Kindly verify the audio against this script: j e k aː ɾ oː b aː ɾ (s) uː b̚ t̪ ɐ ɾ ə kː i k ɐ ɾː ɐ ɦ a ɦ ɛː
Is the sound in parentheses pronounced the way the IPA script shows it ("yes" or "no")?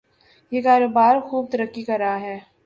no